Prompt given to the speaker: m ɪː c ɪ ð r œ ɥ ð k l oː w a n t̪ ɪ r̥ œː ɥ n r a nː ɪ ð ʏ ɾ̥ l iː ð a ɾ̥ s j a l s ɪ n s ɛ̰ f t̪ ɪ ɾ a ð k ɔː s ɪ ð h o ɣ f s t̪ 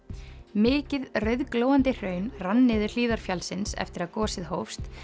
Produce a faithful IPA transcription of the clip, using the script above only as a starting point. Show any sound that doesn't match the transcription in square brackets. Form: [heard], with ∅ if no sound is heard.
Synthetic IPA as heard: m ɪː c ɪ ð r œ ɥ ð k l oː w a n t̪ ɪ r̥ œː ɥ n r a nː ɪ ð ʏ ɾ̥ l iː ð a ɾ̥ [f] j a l s ɪ n s ɛ̰ f t̪ ɪ ɾ a ð k ɔː s ɪ ð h o [w] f s t̪